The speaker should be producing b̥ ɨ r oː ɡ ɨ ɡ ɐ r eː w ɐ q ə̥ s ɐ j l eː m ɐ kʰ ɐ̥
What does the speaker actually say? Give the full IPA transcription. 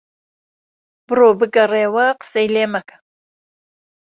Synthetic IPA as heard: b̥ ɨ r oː b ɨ ɡ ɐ r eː w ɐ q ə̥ s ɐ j l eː m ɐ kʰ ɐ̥